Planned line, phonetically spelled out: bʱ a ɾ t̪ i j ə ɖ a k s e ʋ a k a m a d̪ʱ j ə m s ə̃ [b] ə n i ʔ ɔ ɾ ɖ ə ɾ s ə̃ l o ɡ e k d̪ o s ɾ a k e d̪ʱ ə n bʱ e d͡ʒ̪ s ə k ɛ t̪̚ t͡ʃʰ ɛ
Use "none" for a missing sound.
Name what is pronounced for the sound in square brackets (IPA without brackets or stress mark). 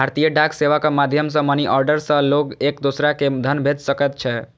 m